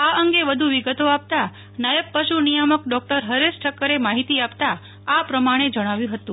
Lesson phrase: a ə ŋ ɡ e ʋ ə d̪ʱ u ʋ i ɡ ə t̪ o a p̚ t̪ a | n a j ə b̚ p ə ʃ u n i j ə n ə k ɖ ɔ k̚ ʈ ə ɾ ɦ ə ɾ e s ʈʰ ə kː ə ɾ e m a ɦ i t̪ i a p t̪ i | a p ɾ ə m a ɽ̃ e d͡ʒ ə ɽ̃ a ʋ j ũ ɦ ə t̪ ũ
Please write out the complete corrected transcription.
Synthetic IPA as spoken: a ə ŋ ɡ e ʋ ə d̪ʱ u ʋ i ɡ ə t̪ o a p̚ t̪ a | n a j ə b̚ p ə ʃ u n i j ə m ə k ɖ ɔ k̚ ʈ ə ɾ ɦ ə ɾ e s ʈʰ ə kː ə ɾ e m a ɦ i t̪ i a p t̪ a | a p ɾ ə m a ɽ̃ e d͡ʒ ə ɽ̃ a ʋ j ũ ɦ ə t̪ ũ